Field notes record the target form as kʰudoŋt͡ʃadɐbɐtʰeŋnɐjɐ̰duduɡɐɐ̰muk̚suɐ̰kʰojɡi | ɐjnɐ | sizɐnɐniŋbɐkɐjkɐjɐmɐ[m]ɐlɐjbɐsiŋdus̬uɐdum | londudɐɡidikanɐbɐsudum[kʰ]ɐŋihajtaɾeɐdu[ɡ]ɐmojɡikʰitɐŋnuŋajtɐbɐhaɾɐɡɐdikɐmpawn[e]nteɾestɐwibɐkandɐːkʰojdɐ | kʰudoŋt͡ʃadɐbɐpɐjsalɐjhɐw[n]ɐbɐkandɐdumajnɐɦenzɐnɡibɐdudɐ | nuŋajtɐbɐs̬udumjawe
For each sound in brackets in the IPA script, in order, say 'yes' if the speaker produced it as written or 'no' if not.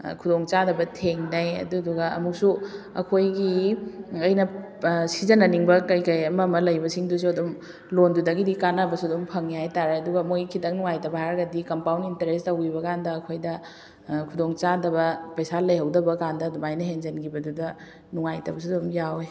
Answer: yes, no, yes, no, no

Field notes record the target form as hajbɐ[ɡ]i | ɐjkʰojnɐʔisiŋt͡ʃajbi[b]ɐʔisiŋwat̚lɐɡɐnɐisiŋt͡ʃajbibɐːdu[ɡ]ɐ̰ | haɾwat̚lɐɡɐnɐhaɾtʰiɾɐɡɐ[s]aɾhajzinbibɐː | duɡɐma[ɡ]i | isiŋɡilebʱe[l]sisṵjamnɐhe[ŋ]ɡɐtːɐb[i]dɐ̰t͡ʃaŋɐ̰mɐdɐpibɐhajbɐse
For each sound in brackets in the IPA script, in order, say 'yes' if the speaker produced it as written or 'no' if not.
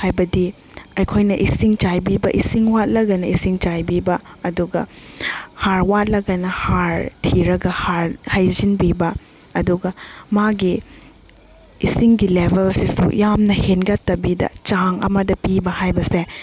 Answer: no, yes, yes, no, yes, yes, no, yes

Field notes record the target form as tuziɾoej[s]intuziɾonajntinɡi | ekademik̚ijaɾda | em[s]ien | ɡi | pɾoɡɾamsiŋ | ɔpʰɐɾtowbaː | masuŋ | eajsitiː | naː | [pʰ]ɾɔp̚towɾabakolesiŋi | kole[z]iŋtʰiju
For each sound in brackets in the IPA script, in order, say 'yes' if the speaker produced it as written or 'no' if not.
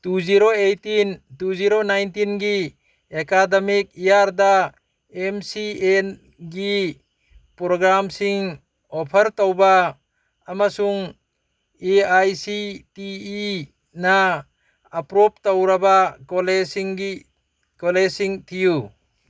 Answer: no, yes, no, no

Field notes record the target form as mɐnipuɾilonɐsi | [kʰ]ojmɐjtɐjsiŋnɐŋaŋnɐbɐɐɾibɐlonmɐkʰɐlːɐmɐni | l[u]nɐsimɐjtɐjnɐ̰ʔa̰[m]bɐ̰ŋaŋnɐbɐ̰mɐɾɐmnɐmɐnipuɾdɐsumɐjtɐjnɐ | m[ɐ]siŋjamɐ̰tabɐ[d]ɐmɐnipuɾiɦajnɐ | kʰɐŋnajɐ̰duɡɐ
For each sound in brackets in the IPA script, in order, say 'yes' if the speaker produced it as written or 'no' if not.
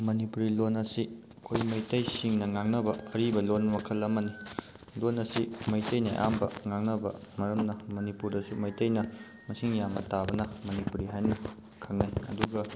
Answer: yes, no, yes, yes, no

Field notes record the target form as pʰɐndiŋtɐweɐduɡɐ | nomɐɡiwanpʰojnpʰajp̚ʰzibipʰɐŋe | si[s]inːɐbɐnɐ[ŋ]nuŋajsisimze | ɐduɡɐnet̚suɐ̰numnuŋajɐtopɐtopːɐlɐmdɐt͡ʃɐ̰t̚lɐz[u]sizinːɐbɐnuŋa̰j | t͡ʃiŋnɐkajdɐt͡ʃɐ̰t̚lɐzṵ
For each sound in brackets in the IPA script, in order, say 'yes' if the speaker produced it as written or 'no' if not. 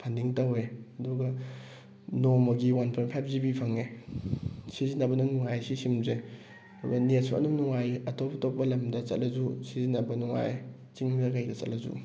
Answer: no, yes, yes

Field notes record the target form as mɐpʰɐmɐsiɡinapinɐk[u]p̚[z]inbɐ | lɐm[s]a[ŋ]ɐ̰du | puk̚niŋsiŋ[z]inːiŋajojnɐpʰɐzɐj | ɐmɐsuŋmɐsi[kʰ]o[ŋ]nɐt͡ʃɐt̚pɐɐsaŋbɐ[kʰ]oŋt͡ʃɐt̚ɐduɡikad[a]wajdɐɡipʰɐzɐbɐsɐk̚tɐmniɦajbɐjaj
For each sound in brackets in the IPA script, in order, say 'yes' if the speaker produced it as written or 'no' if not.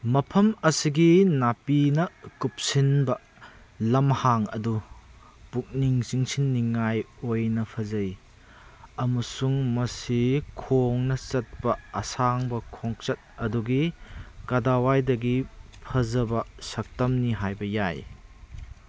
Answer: yes, no, no, yes, no, yes, yes, yes, yes

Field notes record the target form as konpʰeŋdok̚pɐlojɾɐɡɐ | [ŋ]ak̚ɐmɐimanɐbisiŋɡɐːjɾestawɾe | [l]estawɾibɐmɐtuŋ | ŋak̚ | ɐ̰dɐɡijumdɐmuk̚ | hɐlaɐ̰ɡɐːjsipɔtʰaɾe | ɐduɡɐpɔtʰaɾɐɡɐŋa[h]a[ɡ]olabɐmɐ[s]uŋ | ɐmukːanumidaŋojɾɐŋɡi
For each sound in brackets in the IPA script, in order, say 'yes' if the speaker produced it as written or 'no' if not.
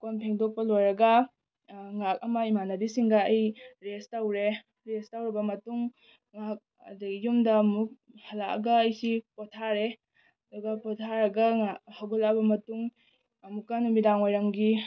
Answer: yes, no, yes, yes, no

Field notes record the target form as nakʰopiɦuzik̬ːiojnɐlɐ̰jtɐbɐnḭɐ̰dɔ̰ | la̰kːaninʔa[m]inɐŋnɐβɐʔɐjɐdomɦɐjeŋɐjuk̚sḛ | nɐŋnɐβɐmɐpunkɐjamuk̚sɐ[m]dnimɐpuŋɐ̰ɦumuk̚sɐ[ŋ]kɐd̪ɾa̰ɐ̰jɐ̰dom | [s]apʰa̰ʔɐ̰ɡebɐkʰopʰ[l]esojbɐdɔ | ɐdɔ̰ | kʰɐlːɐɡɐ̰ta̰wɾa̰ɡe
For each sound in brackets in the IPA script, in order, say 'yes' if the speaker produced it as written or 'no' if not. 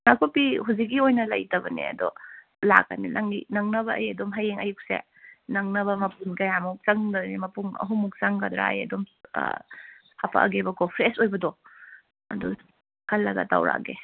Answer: no, no, yes, no, no

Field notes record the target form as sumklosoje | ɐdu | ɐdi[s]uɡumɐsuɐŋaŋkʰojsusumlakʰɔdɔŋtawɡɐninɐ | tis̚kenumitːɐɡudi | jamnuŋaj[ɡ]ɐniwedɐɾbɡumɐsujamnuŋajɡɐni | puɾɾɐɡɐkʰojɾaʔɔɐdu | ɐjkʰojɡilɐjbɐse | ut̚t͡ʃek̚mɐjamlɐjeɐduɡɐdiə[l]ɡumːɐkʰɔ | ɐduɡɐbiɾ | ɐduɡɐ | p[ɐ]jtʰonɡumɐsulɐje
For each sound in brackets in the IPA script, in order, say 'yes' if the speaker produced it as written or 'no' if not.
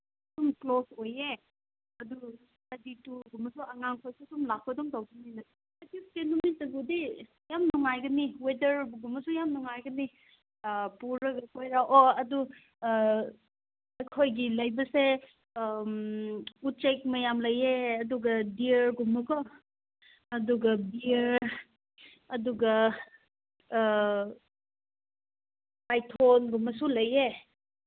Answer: no, yes, no, no

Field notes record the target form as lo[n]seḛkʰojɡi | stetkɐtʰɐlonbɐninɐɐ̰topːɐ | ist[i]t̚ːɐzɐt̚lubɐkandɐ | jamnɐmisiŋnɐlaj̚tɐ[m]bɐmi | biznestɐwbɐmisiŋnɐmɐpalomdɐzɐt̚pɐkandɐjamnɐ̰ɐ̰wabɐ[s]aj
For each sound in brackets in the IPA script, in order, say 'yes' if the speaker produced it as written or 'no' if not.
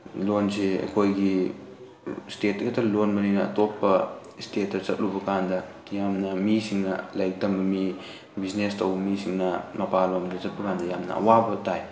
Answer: yes, no, yes, no

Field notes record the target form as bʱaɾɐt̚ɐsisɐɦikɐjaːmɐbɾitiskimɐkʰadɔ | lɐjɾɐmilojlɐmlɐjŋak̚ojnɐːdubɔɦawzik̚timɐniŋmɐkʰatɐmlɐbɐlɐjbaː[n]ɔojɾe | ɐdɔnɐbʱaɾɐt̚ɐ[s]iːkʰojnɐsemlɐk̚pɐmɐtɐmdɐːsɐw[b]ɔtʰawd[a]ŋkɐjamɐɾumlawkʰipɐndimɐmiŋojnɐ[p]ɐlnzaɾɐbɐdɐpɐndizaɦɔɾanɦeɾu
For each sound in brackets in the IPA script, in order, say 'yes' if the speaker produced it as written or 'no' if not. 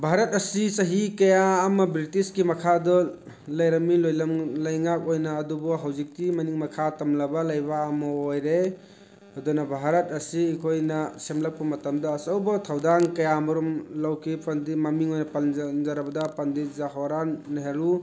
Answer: no, yes, yes, yes, yes

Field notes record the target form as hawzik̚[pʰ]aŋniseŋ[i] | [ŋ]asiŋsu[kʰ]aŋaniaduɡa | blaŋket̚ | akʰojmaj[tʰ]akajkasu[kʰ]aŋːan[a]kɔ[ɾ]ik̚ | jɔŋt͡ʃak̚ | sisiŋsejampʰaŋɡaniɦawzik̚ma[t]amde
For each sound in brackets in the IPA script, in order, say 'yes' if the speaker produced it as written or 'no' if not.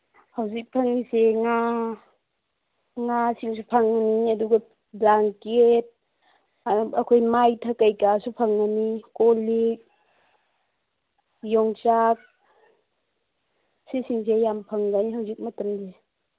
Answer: yes, no, yes, no, yes, no, no, no, yes

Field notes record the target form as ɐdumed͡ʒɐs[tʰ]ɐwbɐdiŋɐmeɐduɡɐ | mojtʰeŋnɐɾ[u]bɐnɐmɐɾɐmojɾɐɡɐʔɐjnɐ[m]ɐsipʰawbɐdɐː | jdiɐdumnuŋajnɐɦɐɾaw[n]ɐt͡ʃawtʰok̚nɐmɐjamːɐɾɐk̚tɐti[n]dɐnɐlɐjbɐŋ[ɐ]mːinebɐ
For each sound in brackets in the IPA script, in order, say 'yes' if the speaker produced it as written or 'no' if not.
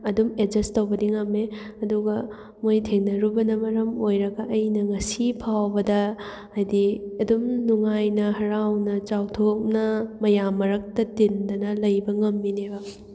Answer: no, yes, no, yes, yes, yes

